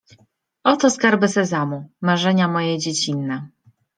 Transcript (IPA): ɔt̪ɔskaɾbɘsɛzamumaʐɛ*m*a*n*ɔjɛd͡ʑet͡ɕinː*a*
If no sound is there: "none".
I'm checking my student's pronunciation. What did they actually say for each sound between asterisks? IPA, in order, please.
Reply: ɲ, m, ɛ

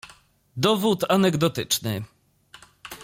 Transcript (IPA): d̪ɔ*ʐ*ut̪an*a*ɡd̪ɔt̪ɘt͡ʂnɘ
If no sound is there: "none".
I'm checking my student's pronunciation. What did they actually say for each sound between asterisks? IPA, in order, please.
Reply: v, ɛ

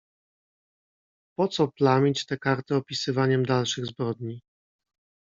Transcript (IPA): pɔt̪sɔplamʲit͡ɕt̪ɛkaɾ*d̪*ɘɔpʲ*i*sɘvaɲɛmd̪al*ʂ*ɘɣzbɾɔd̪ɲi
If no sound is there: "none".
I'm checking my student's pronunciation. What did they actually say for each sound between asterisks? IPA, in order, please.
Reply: t̪, i, ʂ

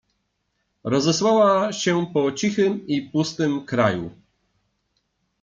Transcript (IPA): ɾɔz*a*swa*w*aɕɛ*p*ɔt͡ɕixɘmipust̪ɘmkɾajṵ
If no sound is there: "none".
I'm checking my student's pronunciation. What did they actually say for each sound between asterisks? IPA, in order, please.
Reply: ɛ, w, p

